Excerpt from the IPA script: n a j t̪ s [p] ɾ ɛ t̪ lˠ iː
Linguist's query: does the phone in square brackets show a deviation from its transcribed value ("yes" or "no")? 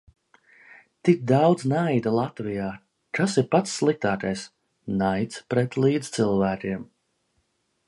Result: no